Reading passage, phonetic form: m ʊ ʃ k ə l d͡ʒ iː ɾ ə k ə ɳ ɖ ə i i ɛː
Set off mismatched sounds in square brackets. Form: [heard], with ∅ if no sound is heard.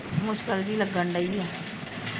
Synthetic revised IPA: m ʊ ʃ k ə l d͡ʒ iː [l] ə [ɡ] ə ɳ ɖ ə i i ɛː